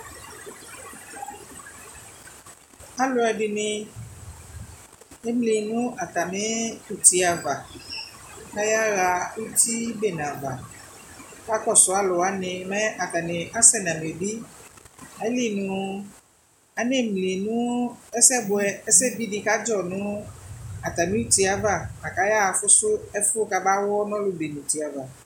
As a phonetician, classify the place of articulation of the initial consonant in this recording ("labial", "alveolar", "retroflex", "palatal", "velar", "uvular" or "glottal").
alveolar